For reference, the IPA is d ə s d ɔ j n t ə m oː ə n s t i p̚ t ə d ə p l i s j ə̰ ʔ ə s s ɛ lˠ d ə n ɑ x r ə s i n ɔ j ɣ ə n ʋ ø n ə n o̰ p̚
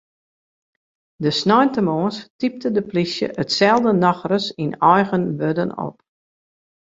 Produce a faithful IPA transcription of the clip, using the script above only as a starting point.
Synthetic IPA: d ə s n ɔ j n t ə m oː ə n s t i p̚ t ə d ə p l i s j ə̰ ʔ ə t s ɛ lˠ d ə n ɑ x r ə s i n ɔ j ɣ ə n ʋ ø d ə n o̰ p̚